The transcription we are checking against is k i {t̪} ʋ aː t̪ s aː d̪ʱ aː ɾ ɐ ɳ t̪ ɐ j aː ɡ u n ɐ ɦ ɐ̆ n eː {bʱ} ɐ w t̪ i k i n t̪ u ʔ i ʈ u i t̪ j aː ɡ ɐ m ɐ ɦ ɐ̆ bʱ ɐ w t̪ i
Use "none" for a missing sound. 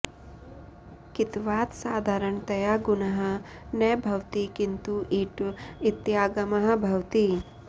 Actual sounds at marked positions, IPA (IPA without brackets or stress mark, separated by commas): t̪, bʱ